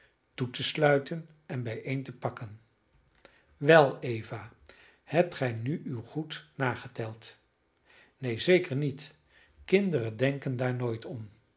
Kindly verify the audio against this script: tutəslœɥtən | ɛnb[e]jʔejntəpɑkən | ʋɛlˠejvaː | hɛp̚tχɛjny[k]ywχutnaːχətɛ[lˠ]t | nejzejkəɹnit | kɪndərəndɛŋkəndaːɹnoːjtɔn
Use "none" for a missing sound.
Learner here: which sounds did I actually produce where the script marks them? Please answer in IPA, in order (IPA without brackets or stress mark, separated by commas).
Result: ɛ, none, lˠ